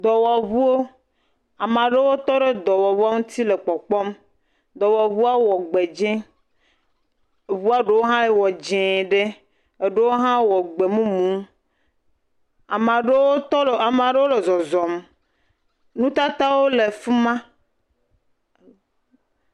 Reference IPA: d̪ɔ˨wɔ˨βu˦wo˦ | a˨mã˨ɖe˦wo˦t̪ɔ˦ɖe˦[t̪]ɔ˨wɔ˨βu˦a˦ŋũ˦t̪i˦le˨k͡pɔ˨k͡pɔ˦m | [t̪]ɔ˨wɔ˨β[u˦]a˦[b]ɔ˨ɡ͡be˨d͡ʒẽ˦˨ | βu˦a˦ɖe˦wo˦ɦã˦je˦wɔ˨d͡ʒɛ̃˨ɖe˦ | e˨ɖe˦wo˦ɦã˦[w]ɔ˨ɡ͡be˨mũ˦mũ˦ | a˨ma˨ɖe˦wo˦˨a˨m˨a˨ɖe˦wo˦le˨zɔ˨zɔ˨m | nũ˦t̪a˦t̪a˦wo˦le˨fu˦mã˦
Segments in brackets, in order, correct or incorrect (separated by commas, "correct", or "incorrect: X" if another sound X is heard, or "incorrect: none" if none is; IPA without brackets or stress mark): incorrect: d̪, incorrect: d̪, correct, incorrect: w, correct